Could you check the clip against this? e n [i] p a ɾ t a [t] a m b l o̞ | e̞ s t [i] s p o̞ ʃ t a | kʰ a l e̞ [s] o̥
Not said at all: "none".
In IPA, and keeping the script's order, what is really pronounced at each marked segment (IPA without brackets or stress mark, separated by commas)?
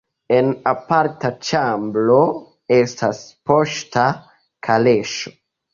a, t͡ʃ, a, ʃ